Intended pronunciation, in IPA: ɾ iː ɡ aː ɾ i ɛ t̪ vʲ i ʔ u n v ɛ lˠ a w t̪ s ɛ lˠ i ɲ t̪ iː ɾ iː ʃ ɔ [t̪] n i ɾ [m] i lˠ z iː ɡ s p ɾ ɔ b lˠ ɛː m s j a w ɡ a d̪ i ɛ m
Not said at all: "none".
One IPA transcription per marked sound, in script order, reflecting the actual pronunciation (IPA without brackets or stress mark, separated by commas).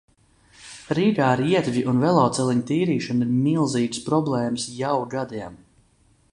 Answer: none, m